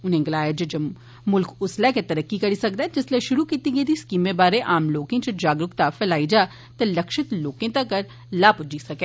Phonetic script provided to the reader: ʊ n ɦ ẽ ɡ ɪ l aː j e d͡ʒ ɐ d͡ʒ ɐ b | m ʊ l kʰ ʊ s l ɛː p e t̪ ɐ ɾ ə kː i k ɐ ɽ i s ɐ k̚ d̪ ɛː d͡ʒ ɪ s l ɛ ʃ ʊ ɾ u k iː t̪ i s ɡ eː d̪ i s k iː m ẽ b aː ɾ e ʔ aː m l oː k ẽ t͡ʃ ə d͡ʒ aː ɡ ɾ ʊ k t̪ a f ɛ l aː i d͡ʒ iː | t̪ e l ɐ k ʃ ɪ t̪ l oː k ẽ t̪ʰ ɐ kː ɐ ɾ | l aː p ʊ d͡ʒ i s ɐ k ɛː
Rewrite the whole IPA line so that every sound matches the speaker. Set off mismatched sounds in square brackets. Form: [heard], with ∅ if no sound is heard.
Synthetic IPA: ʊ n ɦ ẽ ɡ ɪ l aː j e d͡ʒ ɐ d͡ʒ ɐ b | m ʊ l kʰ ʊ s l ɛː [k] e t̪ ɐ ɾ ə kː i k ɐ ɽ i s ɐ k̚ d̪ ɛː d͡ʒ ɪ s l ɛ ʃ ʊ ɾ u k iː t̪ i [∅] ɡ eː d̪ i s k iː m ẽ b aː ɾ e ʔ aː m l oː k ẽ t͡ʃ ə d͡ʒ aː ɡ ɾ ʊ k t̪ a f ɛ l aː i d͡ʒ [aː] | t̪ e l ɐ k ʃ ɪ t̪ l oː k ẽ [t̪] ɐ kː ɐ ɾ | l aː p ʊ d͡ʒ i s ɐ k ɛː